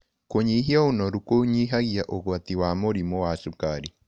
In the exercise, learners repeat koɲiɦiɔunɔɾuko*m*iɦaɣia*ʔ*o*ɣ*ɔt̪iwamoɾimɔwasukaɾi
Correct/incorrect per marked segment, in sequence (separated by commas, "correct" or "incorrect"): incorrect, correct, correct